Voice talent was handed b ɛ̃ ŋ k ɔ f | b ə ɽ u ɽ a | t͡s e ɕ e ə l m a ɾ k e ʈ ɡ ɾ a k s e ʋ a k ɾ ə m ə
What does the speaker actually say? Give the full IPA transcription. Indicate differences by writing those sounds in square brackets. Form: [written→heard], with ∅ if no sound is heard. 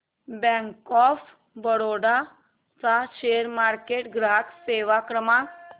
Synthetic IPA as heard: b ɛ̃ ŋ k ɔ f | b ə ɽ [u→o] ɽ a | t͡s [e→a] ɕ e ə [l→ɾ] m a ɾ k e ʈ ɡ ɾ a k s e ʋ a k ɾ ə m [ə→a]